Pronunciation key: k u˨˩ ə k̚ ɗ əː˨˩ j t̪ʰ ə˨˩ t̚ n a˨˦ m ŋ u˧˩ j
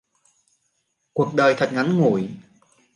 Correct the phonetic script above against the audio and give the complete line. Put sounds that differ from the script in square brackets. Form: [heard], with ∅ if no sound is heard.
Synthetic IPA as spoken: k u˨˩ ə k̚ ɗ əː˨˩ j t̪ʰ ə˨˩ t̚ [ŋ] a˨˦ [n] ŋ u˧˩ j